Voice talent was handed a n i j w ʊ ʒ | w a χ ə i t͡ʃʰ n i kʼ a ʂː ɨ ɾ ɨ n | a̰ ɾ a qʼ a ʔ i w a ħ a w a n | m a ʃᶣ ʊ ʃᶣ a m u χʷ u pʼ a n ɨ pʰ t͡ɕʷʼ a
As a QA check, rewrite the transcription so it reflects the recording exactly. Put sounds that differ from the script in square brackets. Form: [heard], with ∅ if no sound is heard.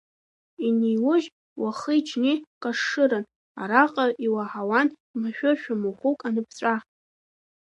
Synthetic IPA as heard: [i] n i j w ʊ ʒ | w a χ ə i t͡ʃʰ n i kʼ a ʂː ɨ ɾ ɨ n | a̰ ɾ a qʼ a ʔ i w a ħ a w a n | m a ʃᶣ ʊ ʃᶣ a m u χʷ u [kʼ] a n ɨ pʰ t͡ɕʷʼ a